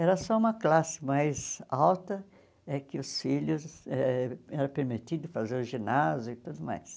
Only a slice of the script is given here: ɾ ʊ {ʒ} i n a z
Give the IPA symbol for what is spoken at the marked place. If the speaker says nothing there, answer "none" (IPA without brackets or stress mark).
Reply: ʒ